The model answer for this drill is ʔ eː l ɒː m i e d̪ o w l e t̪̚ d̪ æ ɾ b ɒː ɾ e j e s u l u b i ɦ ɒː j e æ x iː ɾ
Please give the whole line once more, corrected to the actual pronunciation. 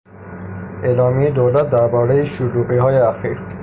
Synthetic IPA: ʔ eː l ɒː m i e d̪ o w l æ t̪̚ d̪ æ ɾ b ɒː ɾ e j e ʃ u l u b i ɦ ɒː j e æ x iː ɾ